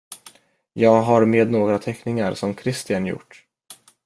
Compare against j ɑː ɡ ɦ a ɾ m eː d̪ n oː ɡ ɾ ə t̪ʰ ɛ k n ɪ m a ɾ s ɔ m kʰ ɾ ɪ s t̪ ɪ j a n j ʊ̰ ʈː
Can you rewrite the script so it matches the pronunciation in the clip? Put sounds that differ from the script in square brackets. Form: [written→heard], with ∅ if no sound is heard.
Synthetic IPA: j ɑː ɡ ɦ a ɾ m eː d̪ n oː ɡ ɾ [ə→a] t̪ʰ ɛ k n ɪ [m→ŋ] a ɾ s ɔ m kʰ ɾ ɪ s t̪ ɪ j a n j ʊ̰ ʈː